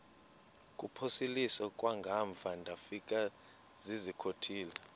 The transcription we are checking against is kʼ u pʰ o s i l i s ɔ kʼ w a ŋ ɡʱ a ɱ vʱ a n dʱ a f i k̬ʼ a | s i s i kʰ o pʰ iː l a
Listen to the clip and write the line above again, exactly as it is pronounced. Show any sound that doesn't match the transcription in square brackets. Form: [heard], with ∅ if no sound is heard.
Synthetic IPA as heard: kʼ u pʰ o s i l i s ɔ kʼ w a ŋ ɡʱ a ɱ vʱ a n dʱ a f i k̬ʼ a | [z] i [z] i kʰ o [tʰ] iː l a